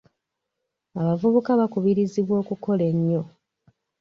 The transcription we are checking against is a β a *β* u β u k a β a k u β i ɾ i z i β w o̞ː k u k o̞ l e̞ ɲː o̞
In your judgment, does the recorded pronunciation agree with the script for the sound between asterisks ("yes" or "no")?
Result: no